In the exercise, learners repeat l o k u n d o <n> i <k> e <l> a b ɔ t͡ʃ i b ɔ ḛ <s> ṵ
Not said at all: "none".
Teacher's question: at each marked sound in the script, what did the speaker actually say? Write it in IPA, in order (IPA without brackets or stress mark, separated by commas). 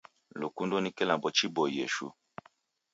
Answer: n, k, l, ʃ